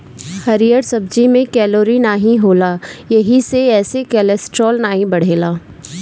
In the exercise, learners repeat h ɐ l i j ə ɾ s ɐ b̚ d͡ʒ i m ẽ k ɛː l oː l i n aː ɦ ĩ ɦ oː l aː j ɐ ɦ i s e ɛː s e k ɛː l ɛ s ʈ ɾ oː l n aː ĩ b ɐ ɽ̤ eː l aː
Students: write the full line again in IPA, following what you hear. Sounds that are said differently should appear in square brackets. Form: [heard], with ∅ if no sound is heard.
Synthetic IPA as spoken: h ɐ [ɾ] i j ə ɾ s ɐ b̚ d͡ʒ i m ẽ k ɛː l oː [ɾ] i n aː ɦ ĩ ɦ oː l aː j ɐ ɦ i s e ɛː s e k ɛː l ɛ s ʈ ɾ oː l n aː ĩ b ɐ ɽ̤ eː l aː